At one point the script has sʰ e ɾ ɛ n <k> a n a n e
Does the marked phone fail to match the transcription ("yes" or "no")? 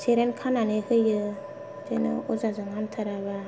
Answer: yes